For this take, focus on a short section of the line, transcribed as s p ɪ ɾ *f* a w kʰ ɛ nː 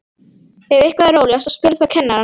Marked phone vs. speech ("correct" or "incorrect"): incorrect